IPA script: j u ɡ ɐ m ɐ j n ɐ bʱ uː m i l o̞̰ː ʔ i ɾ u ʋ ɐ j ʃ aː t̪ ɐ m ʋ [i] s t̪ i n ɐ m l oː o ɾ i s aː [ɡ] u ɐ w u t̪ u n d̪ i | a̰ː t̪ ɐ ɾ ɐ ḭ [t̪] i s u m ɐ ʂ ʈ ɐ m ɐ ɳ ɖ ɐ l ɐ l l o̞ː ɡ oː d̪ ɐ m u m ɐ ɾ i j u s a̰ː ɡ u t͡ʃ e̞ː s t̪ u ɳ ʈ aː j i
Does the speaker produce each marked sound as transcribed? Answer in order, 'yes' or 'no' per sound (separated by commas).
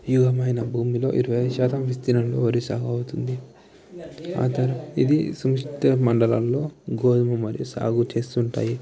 yes, yes, no